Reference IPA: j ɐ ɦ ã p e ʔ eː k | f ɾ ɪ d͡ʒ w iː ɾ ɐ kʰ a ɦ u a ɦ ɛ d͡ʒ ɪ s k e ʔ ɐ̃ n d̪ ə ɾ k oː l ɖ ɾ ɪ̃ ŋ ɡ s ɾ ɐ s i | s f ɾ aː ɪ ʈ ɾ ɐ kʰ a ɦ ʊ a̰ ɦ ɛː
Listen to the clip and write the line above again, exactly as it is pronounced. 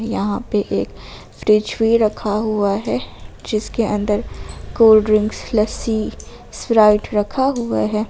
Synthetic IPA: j ɐ ɦ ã p e ʔ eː k | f ɾ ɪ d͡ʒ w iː ɾ ɐ kʰ a ɦ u a ɦ ɛ d͡ʒ ɪ s k e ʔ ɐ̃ n d̪ ə ɾ k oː l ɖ ɾ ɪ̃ ŋ ɡ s l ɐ s i | s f ɾ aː ɪ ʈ ɾ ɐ kʰ a ɦ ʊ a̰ ɦ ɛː